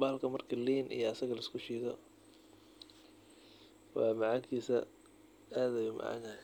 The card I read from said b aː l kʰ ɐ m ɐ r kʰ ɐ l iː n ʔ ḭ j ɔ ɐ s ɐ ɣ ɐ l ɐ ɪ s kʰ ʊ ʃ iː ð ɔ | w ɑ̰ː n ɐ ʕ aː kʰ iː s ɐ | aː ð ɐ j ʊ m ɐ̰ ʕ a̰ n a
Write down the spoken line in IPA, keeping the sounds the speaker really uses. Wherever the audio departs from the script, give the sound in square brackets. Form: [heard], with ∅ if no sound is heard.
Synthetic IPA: b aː l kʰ ɐ m ɐ r kʰ ɐ l iː n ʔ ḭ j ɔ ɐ s ɐ ɣ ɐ l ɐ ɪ s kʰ ʊ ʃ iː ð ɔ | w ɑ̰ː [m] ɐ ʕ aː kʰ iː s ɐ | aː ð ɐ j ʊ m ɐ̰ ʕ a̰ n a